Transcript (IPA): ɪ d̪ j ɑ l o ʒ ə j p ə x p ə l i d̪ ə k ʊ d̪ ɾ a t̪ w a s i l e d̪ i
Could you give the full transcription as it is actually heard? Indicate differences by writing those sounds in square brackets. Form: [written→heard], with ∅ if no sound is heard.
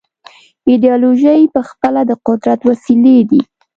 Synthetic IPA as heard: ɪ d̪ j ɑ l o ʒ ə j p ə x p ə l [i→a] d̪ ə [k→q] ʊ d̪ ɾ a t̪ w a s i l e d̪ i